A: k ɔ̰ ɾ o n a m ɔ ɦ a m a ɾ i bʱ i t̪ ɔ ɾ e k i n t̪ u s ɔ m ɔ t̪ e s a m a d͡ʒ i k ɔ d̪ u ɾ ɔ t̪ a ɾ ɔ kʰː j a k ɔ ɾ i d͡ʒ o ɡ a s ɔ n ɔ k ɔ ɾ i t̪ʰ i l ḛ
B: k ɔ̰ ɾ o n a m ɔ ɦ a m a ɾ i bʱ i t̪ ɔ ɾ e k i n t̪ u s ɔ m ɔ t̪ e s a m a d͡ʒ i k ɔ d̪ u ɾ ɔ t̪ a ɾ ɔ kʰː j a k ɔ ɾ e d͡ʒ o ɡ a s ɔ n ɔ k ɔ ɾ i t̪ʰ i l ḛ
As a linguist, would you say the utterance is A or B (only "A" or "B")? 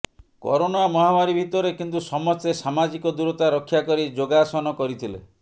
A